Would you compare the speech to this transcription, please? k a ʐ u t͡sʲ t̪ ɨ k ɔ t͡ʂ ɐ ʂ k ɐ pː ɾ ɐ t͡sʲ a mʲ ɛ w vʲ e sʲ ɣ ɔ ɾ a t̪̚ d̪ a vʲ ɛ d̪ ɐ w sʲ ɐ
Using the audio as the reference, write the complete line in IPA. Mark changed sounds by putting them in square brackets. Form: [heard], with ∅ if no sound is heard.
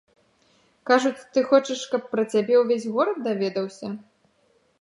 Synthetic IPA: k a ʐ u t͡sʲ t̪ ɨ [x] ɔ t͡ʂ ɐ ʂ k ɐ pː ɾ ɐ t͡sʲ a [bʲ] ɛ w vʲ e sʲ ɣ ɔ ɾ [ɐ] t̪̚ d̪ a vʲ ɛ d̪ ɐ w sʲ ɐ